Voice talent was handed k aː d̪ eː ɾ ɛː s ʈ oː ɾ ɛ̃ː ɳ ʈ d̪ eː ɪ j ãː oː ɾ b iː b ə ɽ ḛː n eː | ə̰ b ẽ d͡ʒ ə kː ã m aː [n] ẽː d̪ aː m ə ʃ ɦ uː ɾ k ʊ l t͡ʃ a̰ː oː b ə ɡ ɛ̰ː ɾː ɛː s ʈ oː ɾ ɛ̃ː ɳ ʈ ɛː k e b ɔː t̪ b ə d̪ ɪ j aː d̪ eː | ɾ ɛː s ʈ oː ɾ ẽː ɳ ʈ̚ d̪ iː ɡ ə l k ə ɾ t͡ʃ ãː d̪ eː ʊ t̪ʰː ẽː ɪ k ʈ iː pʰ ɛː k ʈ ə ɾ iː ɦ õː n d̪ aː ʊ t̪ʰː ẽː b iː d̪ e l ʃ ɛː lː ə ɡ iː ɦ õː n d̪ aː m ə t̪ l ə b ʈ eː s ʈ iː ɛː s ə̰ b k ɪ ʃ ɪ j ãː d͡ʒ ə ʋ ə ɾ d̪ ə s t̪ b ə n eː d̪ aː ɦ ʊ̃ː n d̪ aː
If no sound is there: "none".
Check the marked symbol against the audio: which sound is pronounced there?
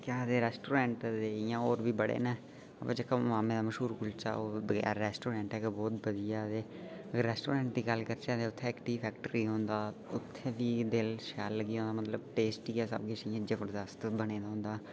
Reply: m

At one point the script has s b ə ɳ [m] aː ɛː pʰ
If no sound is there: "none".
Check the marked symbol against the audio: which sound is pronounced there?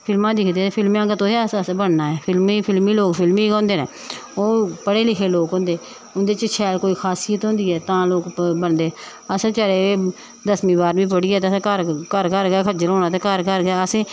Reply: n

